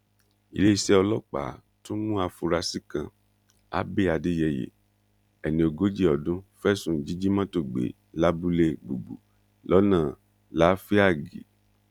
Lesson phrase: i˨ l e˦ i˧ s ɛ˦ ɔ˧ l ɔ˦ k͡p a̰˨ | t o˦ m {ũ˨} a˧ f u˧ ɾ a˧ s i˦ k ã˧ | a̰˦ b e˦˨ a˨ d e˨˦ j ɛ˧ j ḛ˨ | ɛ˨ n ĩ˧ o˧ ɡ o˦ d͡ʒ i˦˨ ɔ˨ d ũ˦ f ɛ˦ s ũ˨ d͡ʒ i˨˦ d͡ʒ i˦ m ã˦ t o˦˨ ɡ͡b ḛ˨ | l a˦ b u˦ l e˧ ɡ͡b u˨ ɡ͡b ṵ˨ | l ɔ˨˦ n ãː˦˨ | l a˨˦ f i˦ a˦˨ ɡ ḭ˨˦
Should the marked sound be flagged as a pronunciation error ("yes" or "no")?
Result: yes